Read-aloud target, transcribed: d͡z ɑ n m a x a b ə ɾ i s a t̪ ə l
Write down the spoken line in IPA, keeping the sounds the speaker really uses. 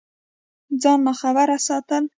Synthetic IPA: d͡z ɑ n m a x a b a ɾ a s ɑ t̪ ə l